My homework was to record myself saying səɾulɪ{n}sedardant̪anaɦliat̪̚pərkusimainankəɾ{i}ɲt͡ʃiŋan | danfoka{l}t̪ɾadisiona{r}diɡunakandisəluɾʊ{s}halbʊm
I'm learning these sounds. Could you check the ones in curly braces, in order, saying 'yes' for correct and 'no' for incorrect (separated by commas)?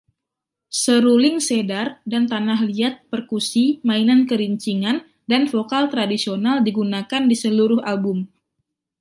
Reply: no, yes, yes, no, no